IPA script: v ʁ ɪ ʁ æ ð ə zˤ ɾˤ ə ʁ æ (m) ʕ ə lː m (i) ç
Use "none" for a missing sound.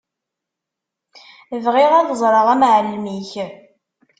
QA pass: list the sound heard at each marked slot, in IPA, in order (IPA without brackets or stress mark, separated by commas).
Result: m, i